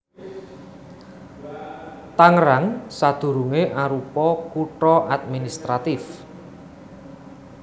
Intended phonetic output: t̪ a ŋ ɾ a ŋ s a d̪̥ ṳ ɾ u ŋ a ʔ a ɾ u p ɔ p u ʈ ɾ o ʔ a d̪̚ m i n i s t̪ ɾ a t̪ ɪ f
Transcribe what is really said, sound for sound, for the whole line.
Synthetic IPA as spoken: t̪ a ŋ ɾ a ŋ s a d̪̥ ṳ ɾ u ŋ e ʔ a ɾ u p ɔ k u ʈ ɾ ɔ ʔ a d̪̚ m i n i s t̪ ɾ a t̪ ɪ f